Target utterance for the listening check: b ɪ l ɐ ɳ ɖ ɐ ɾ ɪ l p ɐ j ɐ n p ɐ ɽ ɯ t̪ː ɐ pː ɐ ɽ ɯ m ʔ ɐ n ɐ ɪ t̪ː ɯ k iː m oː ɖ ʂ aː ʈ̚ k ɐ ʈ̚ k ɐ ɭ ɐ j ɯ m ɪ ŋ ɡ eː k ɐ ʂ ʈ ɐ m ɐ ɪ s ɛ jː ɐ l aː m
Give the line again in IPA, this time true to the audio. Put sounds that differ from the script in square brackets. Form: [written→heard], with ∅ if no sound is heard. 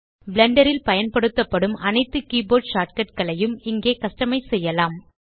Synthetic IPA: b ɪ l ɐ ɳ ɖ ɐ ɾ ɪ l p ɐ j ɐ n p ɐ ɽ ɯ t̪ː ɐ pː ɐ ɽ ɯ m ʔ ɐ n ɐ ɪ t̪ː ɯ k iː [m→b] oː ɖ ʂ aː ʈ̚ k ɐ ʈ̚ k ɐ ɭ ɐ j ɯ m ɪ ŋ ɡ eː k ɐ ʂ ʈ ɐ m ɐ ɪ s ɛ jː ɐ l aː m